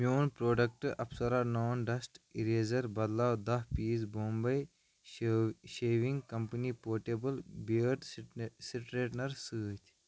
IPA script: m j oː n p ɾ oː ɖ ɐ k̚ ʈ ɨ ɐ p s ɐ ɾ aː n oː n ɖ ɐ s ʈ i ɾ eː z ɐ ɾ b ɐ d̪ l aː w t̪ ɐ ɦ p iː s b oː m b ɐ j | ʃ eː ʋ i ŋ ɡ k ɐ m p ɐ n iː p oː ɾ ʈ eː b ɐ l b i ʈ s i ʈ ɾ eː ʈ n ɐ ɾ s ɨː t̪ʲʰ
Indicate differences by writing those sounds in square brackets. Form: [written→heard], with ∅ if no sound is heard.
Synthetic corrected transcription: m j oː n p ɾ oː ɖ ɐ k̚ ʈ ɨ ɐ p s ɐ ɾ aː n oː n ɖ ɐ s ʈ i ɾ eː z ɐ ɾ b ɐ d̪ l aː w [t̪→d̪] ɐ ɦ p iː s b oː m b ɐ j | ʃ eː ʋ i ŋ ɡ k ɐ m p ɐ n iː p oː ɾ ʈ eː b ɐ l b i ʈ s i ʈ ɾ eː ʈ n ɐ ɾ s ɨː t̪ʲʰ